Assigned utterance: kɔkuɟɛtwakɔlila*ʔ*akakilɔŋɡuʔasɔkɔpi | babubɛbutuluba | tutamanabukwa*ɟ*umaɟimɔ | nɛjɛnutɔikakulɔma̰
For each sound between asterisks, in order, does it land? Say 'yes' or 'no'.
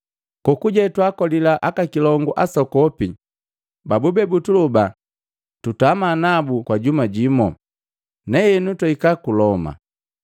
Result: yes, yes

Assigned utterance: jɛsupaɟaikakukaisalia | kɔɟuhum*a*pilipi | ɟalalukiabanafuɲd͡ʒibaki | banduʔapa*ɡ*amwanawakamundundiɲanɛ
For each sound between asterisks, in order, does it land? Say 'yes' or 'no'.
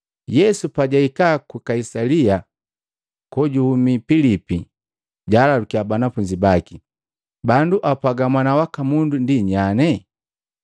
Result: no, yes

